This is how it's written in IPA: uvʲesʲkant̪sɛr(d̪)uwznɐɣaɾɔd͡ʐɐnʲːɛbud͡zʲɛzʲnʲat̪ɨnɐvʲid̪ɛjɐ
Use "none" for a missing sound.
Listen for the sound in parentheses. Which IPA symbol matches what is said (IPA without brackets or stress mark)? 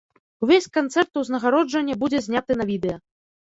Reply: t̪